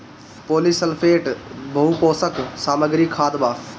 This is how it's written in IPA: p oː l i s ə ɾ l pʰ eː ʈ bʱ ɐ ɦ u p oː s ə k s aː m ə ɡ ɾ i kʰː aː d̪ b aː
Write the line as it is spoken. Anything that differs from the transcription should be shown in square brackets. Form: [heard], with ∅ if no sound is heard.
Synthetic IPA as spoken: p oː l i s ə [∅] l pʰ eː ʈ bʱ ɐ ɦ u p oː s ə k s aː m ə ɡ ɾ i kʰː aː d̪ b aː